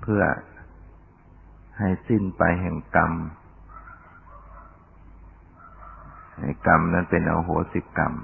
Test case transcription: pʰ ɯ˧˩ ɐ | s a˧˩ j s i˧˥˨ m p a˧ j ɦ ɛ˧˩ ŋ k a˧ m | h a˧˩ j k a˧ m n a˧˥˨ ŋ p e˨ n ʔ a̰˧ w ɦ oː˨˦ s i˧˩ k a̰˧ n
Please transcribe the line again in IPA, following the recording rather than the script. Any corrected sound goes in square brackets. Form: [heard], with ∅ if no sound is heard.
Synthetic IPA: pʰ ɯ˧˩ ɐ | [h] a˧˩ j s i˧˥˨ [n] p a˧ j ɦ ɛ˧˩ ŋ k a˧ m | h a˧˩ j k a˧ m n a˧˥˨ [n] p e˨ n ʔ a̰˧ w ɦ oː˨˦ s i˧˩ k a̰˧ [m]